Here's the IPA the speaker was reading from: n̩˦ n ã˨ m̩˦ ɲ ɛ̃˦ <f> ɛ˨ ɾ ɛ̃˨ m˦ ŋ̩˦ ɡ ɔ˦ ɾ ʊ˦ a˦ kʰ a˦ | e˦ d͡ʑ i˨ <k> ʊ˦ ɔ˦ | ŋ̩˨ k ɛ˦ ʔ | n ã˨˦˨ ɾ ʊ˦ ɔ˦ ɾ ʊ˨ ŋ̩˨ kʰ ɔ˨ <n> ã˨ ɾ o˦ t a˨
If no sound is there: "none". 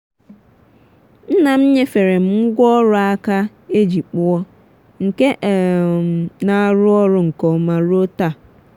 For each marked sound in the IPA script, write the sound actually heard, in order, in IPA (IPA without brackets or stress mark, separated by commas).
f, k͡p, m